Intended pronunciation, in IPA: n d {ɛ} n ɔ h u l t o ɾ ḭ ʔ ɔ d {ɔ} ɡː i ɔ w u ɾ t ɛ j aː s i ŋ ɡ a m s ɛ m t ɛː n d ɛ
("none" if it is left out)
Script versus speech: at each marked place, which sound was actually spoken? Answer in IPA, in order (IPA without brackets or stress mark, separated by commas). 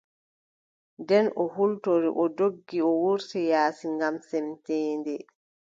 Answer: ɛ, o